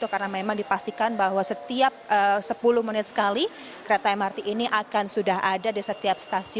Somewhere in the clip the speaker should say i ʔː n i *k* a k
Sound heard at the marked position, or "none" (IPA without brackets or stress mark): ʔ